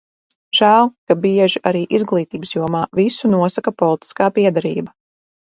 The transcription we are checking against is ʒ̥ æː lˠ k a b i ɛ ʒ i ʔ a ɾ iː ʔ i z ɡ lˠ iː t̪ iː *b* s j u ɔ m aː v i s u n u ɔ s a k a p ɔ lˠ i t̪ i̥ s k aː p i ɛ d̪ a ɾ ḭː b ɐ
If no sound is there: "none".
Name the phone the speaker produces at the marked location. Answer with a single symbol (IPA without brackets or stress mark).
b